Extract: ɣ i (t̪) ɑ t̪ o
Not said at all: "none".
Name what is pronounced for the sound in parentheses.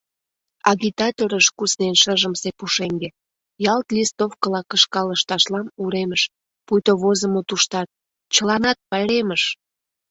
t̪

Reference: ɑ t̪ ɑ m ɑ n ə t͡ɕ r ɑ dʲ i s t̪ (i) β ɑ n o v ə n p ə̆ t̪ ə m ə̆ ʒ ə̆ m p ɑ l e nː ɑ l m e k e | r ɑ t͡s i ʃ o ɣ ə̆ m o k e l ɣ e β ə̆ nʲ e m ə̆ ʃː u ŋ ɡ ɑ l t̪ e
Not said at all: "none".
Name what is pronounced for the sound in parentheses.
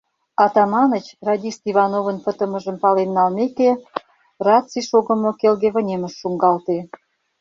i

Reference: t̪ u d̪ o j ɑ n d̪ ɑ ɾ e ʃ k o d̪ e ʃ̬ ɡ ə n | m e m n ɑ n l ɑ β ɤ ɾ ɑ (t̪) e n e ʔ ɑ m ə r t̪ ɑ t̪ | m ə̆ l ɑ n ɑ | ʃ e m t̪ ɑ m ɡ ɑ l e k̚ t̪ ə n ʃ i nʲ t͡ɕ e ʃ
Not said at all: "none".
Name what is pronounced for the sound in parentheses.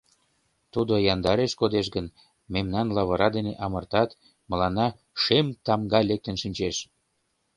d̪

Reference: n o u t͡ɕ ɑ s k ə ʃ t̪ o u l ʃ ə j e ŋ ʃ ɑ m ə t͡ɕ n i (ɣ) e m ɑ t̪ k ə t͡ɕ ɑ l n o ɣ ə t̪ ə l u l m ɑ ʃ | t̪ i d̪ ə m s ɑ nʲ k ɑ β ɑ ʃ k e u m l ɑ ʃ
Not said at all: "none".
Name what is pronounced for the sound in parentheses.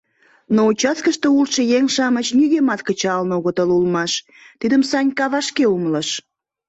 ɣ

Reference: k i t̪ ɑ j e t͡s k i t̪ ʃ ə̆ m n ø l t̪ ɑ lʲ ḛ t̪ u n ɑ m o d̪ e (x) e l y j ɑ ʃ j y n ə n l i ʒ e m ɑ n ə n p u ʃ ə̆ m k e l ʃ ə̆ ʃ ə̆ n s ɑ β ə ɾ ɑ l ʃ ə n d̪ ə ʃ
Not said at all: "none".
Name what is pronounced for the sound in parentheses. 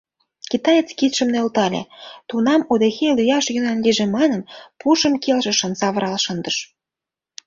x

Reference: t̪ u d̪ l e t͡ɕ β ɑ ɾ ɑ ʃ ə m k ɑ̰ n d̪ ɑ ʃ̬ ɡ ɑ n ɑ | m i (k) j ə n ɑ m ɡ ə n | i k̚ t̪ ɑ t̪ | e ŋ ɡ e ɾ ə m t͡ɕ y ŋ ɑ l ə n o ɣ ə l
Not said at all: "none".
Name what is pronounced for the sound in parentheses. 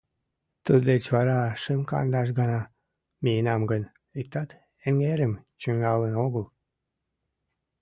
none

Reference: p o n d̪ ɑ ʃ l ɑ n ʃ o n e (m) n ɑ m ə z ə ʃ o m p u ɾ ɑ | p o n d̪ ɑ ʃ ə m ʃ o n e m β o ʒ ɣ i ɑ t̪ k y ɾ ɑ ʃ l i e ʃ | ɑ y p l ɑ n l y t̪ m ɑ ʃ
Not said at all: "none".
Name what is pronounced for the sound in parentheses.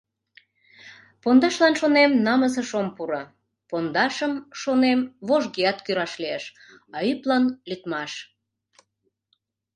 m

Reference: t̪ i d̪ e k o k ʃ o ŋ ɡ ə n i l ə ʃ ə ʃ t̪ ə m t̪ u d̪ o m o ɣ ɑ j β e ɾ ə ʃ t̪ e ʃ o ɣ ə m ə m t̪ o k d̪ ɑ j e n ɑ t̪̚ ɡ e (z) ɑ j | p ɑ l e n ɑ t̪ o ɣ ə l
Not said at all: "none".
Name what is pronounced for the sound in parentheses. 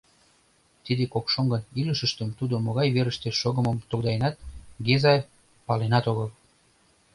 z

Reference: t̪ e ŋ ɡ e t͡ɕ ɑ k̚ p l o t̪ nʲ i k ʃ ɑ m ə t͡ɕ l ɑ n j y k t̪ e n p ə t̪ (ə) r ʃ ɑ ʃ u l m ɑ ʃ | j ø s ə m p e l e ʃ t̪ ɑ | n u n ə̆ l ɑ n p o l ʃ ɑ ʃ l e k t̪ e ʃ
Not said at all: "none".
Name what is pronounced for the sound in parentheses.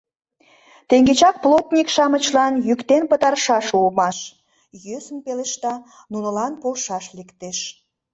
ɑ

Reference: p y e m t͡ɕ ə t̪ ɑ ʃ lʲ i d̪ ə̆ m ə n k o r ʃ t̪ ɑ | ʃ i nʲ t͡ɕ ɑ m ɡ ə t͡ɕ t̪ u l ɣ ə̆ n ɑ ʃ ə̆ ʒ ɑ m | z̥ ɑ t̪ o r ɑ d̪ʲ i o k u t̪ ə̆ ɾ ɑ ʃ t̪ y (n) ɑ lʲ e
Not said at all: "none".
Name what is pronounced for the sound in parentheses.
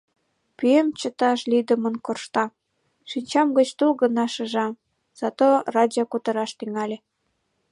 ŋ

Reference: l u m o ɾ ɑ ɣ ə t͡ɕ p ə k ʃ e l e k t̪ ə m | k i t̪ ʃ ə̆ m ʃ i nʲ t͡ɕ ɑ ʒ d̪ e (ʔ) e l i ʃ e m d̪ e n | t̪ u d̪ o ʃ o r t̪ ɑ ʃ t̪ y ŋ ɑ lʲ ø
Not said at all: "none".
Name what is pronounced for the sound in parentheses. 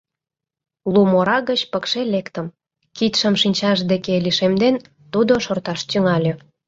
k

